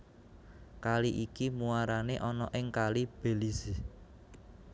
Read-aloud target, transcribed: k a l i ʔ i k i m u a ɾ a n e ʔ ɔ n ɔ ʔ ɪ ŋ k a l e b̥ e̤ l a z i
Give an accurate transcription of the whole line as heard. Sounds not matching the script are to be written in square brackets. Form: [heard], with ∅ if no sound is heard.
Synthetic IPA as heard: k a l i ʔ i k i m u a ɾ a n e ʔ ɔ n ɔ ʔ ɪ ŋ k a l [i] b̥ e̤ l [i] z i